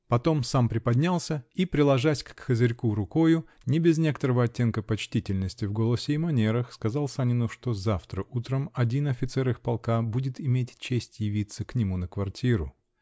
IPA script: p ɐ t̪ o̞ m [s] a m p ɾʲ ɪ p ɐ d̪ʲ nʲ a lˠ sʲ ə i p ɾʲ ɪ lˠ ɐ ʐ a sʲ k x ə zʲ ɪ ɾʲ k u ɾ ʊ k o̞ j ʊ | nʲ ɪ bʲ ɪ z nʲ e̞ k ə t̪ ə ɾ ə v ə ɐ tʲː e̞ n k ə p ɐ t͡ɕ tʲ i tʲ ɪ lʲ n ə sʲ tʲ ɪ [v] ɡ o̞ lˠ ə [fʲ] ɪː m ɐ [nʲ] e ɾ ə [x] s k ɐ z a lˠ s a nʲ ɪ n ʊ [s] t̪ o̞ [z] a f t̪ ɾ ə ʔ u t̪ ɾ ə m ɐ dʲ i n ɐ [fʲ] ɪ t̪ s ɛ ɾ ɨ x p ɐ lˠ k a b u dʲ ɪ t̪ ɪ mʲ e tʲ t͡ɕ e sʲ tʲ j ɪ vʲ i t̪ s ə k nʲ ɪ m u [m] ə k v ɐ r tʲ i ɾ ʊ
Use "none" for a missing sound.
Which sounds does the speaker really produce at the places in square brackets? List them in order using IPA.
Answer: s, v, sʲ, nʲ, x, ʂ, z, fʲ, n

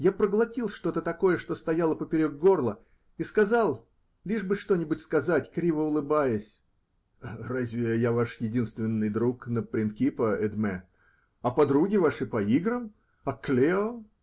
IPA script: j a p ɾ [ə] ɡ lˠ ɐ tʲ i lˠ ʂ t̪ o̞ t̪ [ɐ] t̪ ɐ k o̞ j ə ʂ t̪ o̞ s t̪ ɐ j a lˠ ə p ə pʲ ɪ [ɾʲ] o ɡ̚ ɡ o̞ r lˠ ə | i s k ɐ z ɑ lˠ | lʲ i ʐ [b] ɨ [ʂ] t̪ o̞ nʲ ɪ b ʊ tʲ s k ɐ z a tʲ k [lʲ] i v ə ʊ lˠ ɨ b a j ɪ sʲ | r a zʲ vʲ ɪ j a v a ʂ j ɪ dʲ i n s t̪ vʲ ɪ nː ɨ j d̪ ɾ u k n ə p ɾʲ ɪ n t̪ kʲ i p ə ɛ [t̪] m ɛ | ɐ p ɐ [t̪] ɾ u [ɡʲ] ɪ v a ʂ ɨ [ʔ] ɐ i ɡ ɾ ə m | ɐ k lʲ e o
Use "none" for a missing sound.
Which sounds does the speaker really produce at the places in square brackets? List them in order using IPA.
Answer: ə, ə, ɾʲ, b, ʂ, ɾʲ, d̪, d̪, ɡʲ, p

